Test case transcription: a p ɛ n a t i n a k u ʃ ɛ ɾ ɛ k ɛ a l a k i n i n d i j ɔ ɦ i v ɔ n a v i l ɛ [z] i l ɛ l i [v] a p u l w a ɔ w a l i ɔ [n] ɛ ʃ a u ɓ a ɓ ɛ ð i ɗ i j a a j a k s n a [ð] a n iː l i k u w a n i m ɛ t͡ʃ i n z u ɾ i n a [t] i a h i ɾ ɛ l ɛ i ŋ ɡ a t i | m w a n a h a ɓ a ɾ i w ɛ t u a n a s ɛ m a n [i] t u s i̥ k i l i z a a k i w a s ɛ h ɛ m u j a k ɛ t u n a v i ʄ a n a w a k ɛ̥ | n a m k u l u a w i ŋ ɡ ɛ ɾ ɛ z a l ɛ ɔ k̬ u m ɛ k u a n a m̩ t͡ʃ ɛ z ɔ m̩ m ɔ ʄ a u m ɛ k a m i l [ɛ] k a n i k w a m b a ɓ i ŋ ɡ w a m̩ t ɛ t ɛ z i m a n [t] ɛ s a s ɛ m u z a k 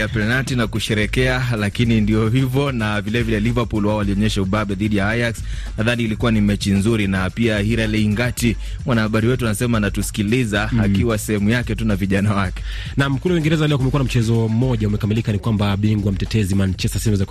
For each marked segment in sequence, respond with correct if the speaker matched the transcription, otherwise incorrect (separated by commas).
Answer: incorrect, correct, incorrect, correct, incorrect, incorrect, incorrect, incorrect